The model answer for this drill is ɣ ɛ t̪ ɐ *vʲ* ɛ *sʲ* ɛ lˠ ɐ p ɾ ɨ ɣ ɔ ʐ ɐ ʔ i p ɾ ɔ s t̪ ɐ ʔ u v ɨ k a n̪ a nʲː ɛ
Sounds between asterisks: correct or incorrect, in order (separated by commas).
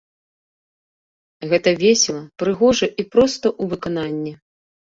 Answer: correct, correct